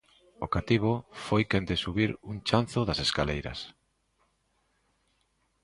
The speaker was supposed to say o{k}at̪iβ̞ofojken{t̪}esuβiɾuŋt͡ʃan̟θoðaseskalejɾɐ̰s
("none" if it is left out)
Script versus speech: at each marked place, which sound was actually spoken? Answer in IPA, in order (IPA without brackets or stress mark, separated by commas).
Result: k, d̪